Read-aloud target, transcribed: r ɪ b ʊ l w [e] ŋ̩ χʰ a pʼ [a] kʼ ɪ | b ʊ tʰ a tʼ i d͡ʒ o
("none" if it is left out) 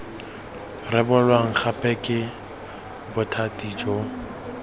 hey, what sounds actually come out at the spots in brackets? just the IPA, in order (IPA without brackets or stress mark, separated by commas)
a, ɛ